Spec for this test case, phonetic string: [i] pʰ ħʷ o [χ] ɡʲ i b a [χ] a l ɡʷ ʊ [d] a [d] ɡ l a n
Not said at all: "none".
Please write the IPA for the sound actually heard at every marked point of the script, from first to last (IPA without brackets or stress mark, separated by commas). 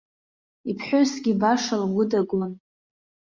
i, s, ʂ, d, none